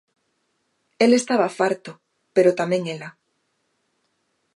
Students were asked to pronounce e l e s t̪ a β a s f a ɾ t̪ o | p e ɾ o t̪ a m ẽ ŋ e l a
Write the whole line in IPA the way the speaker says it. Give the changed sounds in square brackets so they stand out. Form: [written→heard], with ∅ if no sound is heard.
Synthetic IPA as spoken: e l e s t̪ a β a [s→∅] f a ɾ t̪ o | p e ɾ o t̪ a m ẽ ŋ e l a